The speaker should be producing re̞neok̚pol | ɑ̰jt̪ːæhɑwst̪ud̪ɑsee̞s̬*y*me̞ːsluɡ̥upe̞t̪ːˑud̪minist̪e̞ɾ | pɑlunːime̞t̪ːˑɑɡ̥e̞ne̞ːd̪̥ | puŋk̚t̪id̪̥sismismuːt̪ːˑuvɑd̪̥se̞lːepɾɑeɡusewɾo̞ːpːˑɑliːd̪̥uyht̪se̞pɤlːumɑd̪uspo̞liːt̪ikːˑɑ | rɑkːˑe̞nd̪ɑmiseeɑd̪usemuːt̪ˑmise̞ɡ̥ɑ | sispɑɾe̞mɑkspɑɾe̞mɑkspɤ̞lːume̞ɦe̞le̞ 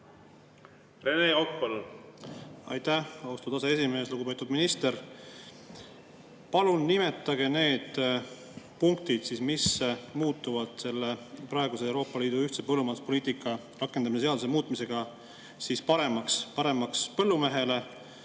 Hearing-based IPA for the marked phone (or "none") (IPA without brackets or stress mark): i